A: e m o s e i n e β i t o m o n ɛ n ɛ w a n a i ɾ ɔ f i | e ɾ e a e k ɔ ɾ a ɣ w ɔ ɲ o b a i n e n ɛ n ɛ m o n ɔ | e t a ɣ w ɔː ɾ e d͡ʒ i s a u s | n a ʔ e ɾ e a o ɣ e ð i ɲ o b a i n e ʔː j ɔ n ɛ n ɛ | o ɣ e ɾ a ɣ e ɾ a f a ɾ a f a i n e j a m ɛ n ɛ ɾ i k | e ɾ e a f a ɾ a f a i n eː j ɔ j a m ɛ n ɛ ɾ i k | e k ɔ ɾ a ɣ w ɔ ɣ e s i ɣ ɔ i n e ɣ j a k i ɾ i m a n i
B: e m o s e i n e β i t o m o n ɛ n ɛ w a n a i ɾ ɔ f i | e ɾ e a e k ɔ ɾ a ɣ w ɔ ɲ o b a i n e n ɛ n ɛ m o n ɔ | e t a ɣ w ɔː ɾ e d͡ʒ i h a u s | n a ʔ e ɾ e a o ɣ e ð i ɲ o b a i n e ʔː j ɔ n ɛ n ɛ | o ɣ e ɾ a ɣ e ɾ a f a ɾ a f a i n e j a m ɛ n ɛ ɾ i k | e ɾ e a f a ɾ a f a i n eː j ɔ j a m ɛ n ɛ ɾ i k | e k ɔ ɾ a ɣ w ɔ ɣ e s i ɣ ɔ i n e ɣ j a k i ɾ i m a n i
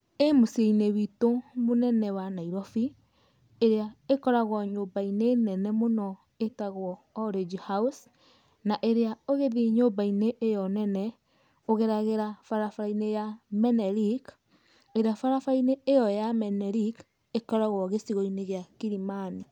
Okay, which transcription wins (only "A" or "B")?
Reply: B